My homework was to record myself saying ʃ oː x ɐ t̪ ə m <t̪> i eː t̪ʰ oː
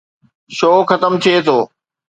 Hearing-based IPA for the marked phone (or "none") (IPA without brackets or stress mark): t̪ʰ